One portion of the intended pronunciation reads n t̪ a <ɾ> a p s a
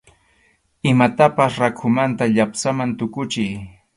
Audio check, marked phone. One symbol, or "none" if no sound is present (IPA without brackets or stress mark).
ʎ